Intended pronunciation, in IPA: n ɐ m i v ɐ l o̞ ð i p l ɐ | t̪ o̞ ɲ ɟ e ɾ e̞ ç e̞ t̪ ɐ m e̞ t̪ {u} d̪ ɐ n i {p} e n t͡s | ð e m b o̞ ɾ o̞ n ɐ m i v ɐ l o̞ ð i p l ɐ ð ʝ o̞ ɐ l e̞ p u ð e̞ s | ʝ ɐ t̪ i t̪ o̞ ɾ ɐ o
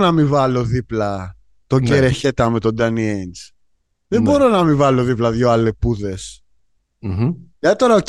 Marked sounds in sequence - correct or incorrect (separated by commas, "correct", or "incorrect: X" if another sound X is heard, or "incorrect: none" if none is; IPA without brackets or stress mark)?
incorrect: o, incorrect: none